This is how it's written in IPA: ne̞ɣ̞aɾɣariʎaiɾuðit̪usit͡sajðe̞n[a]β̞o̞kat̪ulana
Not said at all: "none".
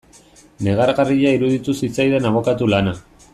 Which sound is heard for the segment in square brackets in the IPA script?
a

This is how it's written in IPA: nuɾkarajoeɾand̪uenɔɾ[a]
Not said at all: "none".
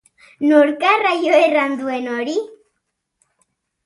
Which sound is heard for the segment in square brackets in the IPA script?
i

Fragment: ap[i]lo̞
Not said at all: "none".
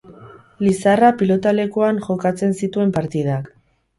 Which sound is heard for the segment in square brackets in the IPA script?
i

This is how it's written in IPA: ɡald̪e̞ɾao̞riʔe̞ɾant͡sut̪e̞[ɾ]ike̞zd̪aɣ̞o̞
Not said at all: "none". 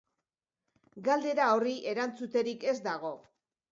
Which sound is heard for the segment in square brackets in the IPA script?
ɾ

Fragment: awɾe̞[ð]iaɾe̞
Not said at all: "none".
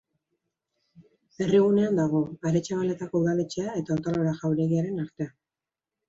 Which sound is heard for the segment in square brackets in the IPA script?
ɣ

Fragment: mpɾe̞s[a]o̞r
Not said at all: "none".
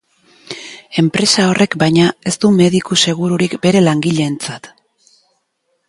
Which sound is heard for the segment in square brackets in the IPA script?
a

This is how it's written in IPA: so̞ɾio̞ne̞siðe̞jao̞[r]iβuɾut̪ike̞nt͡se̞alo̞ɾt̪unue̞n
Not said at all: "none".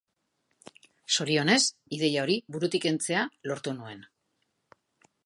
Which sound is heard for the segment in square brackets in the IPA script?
ɾ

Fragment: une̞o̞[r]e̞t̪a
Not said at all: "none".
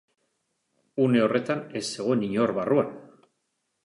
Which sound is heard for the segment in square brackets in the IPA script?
r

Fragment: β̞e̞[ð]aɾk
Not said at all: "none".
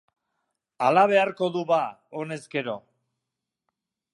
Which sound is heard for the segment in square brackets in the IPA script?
none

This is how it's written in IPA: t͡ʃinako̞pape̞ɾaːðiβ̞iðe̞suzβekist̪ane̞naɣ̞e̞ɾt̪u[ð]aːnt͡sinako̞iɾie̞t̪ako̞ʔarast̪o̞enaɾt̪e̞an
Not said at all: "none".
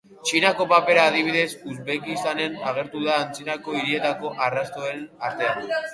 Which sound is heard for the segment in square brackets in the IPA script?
ð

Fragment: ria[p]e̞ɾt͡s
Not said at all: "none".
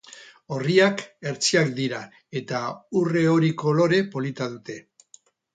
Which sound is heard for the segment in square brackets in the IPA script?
k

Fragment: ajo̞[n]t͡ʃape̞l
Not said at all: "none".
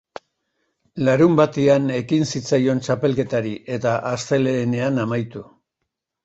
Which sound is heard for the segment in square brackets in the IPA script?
n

